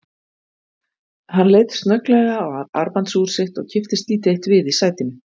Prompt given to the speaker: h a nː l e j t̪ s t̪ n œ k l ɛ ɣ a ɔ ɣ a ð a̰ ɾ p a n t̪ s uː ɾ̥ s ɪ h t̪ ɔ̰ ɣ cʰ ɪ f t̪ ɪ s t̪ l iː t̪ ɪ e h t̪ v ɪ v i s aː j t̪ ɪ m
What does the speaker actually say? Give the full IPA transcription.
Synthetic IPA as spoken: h a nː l e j t̪ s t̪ n œ k l ɛ ɣ a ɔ ɣ a ð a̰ ɾ p a n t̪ s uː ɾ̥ s ɪ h t̪ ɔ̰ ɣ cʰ ɪ f t̪ ɪ s t̪ l iː t̪ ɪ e h t̪ v ɪ ð i s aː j t̪ ɪ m